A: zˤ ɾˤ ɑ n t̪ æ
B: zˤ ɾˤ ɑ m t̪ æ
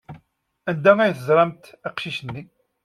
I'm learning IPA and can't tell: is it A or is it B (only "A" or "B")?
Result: B